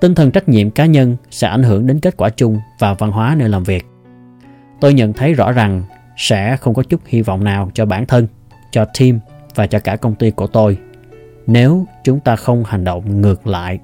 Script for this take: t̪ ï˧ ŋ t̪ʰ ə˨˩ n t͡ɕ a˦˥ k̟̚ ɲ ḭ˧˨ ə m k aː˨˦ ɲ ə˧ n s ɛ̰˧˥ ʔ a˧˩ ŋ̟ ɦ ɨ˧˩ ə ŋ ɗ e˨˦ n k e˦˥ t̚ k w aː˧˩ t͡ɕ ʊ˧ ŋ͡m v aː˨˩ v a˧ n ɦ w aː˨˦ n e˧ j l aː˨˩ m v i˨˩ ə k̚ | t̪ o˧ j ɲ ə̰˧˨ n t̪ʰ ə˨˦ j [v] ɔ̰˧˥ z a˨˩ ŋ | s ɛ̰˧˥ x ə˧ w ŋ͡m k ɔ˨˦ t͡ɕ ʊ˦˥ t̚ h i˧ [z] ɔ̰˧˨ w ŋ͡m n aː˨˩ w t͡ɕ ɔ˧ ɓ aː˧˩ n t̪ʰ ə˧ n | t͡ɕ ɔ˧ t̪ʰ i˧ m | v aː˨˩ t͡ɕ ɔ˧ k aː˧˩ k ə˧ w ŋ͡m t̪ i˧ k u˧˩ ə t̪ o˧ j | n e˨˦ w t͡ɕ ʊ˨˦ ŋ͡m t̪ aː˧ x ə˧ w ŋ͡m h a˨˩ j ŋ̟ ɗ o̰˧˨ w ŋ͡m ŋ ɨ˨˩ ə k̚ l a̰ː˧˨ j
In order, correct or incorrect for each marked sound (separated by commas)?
incorrect, incorrect